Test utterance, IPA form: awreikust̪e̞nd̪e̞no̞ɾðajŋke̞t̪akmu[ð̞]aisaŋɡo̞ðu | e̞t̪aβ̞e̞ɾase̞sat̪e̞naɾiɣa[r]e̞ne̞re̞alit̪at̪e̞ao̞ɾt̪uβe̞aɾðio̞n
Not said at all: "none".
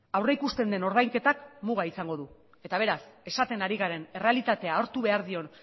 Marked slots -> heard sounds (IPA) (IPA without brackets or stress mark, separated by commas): ɣ̞, ɾ